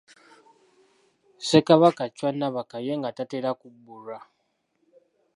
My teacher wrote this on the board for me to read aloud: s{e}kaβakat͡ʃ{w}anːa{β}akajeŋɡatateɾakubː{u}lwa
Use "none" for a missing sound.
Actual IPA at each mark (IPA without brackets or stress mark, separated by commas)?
e, w, β, u